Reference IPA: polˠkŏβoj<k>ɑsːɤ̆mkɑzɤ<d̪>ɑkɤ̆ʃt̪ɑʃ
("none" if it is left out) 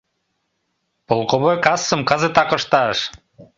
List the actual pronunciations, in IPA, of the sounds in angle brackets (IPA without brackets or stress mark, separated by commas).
k, t̪